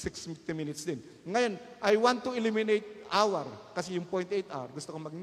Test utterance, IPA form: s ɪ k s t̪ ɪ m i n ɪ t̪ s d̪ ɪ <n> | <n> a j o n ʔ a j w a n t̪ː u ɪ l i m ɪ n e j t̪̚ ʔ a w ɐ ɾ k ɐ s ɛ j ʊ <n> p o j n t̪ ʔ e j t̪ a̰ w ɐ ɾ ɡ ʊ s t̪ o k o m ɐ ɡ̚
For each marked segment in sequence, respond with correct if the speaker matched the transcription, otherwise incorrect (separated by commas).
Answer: correct, incorrect, incorrect